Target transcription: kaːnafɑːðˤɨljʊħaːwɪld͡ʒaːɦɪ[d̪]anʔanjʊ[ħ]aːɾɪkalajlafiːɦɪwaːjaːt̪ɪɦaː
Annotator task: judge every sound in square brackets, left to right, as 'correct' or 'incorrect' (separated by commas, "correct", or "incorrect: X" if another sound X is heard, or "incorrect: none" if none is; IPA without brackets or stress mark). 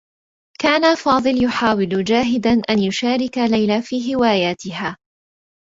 correct, incorrect: ʃ